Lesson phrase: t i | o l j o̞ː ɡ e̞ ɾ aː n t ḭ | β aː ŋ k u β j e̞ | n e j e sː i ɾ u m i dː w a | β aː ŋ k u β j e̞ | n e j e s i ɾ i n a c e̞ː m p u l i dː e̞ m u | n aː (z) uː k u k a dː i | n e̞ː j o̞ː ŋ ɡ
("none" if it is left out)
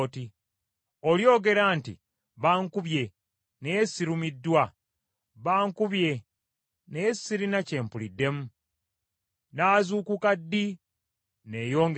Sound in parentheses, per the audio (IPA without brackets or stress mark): z